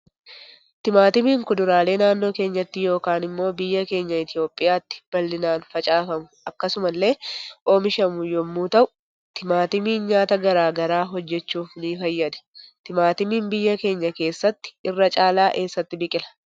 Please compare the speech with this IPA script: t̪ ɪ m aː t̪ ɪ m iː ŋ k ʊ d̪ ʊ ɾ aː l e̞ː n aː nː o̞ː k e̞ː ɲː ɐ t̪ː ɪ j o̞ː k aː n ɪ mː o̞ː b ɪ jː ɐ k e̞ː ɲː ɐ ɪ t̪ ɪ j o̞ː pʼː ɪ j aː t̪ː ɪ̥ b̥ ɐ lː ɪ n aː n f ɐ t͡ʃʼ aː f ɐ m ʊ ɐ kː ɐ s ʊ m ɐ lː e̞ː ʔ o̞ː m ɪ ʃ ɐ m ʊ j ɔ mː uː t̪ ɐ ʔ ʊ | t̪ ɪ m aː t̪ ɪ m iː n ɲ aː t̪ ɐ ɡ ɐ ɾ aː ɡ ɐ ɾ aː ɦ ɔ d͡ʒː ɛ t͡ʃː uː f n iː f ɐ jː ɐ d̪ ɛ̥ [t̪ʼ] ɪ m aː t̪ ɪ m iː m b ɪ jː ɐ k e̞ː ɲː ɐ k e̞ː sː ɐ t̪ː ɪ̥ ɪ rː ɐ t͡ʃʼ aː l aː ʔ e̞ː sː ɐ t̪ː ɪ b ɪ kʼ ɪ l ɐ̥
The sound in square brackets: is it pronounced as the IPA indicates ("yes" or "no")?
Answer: no